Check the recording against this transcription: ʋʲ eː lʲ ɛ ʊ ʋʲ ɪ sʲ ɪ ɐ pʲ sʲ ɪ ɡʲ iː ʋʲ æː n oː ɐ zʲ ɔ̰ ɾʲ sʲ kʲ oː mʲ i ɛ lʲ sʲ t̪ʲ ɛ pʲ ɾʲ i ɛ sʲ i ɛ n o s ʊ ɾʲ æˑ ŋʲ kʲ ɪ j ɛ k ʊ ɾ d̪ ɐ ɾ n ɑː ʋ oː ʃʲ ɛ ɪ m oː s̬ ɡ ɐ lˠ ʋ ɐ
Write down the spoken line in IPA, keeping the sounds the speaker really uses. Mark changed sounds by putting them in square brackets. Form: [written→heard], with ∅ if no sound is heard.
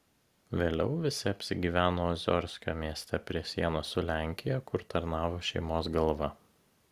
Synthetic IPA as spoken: ʋʲ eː lʲ ɛ ʊ ʋʲ ɪ sʲ ɪ ɐ pʲ sʲ ɪ ɡʲ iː ʋʲ æː n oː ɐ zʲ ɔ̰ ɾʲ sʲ kʲ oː mʲ i ɛ [lʲ→∅] sʲ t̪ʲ ɛ pʲ ɾʲ i ɛ sʲ i ɛ n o s ʊ [ɾʲ→lʲ] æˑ ŋʲ kʲ ɪ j ɛ k ʊ ɾ [d̪→t̪] ɐ ɾ n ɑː ʋ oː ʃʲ ɛ ɪ m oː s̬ ɡ ɐ lˠ ʋ ɐ